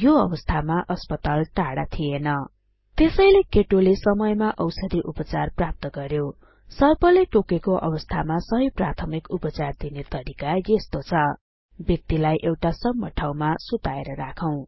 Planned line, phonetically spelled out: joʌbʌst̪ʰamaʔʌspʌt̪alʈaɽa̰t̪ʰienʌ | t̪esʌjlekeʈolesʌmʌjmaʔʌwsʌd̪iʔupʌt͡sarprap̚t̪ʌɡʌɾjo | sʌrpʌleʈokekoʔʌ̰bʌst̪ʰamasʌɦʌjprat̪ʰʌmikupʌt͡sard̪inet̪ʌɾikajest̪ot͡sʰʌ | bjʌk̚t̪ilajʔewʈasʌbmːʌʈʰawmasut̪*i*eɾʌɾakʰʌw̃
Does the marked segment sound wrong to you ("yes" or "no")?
yes